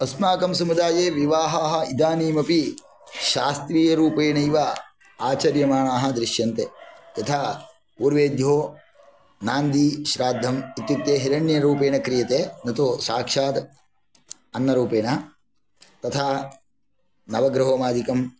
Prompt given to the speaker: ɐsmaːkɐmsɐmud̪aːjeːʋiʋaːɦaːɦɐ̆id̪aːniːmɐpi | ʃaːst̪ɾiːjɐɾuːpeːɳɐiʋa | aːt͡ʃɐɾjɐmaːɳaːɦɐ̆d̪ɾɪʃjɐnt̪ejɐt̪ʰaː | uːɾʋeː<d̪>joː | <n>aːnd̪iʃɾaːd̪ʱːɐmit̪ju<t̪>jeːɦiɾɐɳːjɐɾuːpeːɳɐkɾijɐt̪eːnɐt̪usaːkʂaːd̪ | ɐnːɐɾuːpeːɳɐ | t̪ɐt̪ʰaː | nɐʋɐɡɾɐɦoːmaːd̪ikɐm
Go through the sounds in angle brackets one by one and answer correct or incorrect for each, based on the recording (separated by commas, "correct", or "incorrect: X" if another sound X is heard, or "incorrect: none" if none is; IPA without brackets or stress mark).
correct, correct, correct